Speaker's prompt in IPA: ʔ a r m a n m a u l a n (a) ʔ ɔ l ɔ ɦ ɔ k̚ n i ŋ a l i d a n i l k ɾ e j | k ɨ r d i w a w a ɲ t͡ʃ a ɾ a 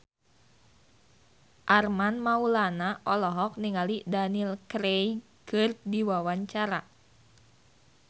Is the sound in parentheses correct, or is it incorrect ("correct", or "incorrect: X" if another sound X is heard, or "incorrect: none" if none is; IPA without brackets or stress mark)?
correct